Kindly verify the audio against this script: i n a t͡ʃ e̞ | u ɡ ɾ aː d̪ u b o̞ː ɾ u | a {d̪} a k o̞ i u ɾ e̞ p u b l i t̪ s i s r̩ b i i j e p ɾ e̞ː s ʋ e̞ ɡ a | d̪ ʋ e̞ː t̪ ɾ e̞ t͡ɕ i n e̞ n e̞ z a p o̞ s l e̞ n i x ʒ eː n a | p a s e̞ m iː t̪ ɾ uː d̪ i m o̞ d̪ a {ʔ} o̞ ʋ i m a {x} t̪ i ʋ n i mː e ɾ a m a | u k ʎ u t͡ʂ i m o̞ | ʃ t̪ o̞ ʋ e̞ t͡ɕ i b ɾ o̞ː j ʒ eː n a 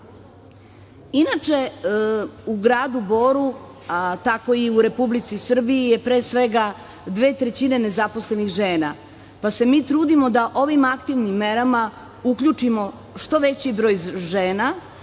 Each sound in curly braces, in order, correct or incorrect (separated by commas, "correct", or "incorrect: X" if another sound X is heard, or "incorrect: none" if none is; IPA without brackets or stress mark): incorrect: t̪, correct, incorrect: k